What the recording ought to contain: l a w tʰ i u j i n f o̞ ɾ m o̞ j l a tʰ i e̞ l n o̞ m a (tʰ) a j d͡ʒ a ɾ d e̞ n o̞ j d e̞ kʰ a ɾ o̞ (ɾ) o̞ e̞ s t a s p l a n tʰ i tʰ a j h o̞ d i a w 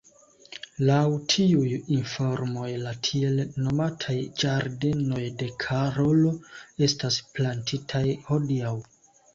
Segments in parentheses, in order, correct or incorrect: correct, incorrect: l

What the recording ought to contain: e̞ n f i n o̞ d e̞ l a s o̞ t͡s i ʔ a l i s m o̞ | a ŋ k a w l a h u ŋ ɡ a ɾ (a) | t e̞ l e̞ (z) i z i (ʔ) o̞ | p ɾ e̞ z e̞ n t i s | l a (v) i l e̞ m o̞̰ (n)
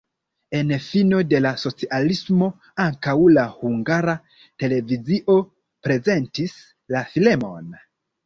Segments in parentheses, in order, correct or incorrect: correct, incorrect: v, correct, incorrect: f, correct

